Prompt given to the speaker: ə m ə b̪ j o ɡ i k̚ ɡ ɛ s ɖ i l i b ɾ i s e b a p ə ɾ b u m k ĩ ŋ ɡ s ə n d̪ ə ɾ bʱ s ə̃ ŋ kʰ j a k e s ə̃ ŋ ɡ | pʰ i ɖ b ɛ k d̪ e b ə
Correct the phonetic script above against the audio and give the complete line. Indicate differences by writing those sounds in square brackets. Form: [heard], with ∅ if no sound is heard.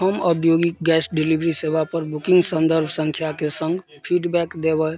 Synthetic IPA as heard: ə m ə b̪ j o ɡ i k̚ ɡ ɛ s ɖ i l i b ɾ i s e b a p ə ɾ b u [∅] k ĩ ŋ ɡ s ə n d̪ ə ɾ bʱ s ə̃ ŋ kʰ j a k e s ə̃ ŋ ɡ | pʰ i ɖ b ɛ k d̪ e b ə